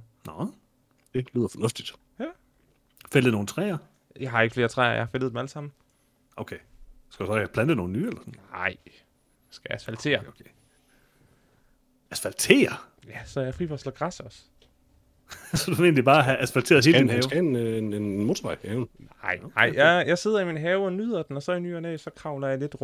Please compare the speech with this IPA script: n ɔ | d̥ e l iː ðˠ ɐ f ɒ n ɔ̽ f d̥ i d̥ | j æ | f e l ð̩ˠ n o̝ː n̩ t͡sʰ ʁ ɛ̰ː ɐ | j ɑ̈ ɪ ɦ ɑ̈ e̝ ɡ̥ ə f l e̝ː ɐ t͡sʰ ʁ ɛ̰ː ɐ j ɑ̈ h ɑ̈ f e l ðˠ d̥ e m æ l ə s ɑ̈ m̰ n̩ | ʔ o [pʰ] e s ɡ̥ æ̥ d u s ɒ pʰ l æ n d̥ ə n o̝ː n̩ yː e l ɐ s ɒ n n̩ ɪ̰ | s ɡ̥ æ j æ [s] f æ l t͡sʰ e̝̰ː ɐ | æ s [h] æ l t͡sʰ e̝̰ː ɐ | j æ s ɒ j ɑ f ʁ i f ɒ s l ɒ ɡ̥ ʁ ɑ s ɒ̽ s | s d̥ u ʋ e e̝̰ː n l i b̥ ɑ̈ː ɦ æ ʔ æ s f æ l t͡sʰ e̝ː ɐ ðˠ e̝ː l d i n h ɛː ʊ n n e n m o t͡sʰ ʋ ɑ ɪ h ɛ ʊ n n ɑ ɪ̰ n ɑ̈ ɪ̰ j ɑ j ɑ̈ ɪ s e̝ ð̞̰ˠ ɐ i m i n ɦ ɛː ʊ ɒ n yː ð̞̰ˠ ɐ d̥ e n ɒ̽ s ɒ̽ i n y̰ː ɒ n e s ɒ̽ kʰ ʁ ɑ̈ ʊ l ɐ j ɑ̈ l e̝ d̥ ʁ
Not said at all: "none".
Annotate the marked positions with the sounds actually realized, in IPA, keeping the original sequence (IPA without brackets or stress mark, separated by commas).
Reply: kʰ, s, f